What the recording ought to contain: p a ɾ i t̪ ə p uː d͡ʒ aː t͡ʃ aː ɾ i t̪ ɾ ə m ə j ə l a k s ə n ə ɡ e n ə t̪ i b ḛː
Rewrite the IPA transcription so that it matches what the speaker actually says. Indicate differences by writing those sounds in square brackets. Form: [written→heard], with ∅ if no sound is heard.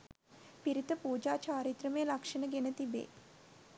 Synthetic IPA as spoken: p [a→i] ɾ i t̪ ə p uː d͡ʒ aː t͡ʃ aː ɾ i t̪ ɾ ə m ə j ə l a k [s→ʂ] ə n ə ɡ e n ə t̪ i b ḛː

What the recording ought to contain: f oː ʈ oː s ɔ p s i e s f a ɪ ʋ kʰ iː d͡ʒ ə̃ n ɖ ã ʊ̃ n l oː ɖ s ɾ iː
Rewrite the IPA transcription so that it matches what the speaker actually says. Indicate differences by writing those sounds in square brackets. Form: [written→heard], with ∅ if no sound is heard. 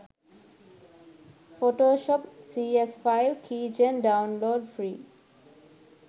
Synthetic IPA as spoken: f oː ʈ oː [s→ʃ] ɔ p s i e s f a ɪ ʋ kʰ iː d͡ʒ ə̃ n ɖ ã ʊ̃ n l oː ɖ [s→f] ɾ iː

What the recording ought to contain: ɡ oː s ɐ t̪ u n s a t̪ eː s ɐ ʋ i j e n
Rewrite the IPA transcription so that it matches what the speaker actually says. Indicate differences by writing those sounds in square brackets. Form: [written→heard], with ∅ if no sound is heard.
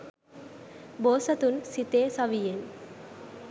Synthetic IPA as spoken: [ɡ→b] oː s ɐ t̪ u n s [a→i] t̪ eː s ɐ ʋ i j e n

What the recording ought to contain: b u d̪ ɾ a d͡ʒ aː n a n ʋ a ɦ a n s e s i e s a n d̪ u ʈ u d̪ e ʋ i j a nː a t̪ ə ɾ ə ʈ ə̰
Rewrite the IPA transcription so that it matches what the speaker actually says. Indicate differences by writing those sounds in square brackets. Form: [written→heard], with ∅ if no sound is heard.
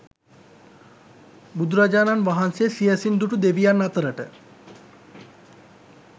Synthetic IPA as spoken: b u d̪ ɾ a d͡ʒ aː n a n ʋ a ɦ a n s e s i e s [a→i] n d̪ u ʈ u d̪ e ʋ i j a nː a t̪ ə ɾ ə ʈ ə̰

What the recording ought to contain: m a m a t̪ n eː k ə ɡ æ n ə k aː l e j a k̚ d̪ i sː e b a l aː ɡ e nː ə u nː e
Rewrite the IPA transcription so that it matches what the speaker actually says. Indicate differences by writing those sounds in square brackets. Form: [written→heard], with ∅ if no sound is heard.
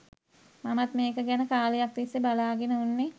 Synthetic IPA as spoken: m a m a t̪ [n→m] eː k ə ɡ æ n ə k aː l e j a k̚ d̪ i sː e b a l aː ɡ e [nː→n] ə u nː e

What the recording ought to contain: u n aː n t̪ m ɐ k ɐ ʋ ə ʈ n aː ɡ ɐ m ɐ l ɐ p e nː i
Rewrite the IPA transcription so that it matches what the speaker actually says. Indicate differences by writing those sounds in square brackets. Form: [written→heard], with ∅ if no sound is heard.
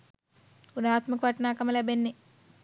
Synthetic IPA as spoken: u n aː [n→∅] t̪ m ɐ k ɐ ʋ [ə→ɐ] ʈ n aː [ɡ→k] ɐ m ɐ l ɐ [p→b] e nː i

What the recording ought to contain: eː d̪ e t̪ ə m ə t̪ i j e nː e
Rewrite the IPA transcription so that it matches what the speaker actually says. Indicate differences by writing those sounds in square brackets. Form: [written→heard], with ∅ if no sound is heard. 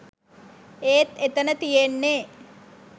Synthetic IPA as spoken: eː [d̪→t̪] e t̪ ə [m→n] ə t̪ i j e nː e

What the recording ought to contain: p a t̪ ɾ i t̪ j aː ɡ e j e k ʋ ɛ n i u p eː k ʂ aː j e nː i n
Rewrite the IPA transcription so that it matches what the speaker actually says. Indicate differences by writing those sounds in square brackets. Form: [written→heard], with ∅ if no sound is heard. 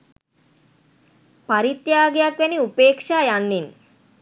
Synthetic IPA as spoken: p a [t̪→∅] ɾ i t̪ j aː ɡ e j [e→a] k ʋ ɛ n i u p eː k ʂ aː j [e→a] nː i n

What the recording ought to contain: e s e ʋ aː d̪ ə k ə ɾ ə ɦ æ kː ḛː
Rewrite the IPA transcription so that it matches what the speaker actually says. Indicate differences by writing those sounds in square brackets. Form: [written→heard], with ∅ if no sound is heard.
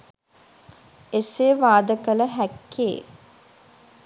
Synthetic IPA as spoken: e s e ʋ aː d̪ ə k ə [ɾ→l] ə ɦ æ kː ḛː

